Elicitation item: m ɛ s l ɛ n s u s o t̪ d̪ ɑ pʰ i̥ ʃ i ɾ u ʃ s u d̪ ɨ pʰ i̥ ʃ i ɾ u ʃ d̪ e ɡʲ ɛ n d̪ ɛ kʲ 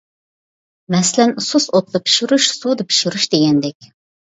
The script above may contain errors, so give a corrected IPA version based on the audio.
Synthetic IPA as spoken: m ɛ s l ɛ n s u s o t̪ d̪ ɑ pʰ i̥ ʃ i ɾ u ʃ s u d̪ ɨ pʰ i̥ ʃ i ɾ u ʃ d̪ e ɡʲ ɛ n d̪ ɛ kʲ